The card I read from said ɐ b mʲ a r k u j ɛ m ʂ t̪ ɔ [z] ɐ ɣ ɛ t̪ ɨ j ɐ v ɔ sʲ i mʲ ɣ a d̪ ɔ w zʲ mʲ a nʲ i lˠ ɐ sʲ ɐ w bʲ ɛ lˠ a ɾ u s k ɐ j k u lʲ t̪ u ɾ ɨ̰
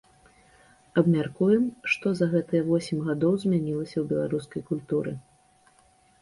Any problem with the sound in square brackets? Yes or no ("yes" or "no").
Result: no